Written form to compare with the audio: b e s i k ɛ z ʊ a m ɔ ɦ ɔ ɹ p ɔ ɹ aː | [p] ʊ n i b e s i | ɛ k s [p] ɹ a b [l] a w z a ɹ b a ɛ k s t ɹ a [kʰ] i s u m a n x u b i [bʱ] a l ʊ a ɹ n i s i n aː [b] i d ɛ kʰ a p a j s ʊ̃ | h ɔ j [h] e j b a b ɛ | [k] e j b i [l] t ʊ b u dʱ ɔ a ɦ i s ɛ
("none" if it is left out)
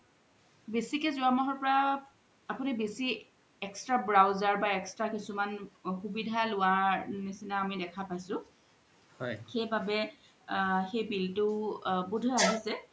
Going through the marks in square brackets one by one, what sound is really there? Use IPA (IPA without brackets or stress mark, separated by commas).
p, t, ɹ, k, dʱ, m, x, x, l